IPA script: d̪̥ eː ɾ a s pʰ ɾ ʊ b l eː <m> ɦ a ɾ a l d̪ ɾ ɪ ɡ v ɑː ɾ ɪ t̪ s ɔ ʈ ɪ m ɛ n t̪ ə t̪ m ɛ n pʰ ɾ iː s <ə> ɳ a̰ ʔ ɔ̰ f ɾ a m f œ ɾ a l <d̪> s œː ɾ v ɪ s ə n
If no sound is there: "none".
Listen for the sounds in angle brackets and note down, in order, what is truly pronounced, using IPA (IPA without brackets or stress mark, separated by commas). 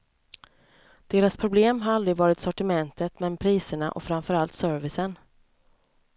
m, ə, t̪